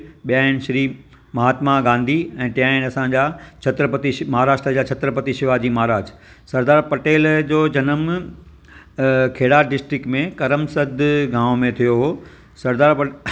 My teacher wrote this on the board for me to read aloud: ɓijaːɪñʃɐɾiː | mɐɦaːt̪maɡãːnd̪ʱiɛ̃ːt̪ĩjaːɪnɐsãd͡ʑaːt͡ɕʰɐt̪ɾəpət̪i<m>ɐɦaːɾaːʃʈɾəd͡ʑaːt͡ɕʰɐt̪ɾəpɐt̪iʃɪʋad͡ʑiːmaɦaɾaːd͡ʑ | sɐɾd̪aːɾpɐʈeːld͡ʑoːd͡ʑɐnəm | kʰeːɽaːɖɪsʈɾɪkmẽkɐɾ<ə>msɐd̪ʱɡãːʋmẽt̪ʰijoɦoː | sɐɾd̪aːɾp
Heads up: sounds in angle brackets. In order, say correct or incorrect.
correct, correct

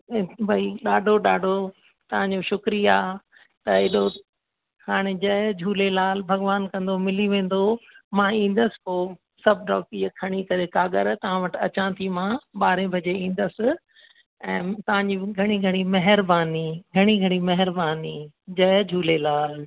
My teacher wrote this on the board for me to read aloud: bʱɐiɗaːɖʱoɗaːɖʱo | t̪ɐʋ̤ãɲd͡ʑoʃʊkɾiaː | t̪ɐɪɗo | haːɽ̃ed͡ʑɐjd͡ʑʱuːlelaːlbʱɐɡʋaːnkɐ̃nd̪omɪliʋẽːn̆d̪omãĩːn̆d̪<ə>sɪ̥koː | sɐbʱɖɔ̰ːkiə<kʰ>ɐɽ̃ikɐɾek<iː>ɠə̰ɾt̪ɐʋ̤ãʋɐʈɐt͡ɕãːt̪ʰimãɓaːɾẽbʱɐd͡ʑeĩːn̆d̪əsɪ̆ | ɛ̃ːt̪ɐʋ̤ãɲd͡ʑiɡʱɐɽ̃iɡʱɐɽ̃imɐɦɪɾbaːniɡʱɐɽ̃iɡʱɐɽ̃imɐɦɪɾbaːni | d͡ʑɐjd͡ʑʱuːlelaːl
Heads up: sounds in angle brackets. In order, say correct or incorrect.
correct, correct, incorrect

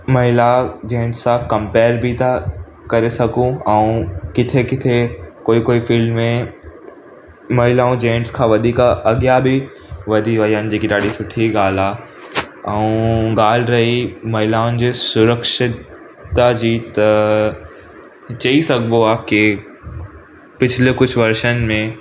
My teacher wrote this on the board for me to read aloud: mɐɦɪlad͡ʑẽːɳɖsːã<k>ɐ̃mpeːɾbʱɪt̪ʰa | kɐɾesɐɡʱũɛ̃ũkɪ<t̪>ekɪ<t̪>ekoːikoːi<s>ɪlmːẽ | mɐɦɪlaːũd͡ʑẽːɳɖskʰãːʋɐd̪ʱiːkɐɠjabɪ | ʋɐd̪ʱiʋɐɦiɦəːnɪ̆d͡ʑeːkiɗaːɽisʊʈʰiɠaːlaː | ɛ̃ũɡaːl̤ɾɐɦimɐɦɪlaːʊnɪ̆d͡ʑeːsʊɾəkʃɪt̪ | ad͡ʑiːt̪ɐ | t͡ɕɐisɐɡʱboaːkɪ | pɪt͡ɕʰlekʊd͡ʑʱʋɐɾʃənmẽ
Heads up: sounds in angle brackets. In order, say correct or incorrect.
correct, incorrect, incorrect, incorrect

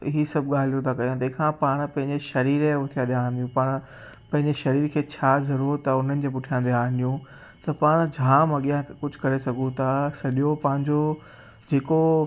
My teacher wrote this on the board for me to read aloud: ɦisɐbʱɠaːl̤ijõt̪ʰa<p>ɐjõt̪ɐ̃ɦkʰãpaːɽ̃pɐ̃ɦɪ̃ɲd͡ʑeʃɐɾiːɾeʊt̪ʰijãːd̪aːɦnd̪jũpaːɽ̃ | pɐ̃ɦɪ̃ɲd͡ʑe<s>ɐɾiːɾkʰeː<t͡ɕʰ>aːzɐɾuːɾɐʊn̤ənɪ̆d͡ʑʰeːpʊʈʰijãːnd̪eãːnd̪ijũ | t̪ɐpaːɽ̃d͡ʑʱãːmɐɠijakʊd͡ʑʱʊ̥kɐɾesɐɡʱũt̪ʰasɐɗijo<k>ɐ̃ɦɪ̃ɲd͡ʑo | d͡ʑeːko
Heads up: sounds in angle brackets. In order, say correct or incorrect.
incorrect, incorrect, correct, incorrect

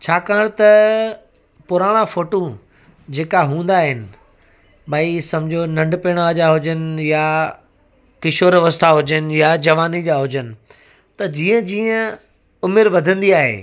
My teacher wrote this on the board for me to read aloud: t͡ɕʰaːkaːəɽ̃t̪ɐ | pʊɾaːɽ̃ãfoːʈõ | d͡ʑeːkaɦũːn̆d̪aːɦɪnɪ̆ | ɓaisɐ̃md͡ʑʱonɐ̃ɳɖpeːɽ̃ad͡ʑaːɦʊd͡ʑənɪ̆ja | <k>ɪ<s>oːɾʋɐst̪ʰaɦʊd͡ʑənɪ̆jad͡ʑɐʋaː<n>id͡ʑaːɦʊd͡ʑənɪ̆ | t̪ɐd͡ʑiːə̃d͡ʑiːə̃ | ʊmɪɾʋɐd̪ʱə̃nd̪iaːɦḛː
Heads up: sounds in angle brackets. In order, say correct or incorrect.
correct, incorrect, correct

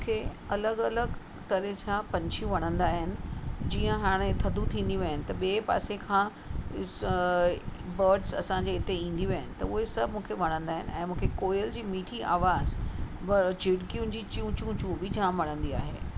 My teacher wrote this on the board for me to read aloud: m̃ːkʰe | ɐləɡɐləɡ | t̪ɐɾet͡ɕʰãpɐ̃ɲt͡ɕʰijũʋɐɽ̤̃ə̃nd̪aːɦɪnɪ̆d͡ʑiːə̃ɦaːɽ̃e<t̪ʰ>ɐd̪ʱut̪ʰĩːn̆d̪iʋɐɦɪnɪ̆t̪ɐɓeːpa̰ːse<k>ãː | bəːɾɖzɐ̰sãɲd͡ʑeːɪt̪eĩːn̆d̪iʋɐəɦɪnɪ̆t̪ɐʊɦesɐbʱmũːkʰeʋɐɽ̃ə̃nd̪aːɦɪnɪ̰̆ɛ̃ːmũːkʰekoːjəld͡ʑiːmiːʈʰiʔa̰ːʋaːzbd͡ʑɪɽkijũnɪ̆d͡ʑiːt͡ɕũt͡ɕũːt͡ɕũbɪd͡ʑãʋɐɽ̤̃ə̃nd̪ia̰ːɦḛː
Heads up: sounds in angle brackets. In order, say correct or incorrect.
correct, incorrect

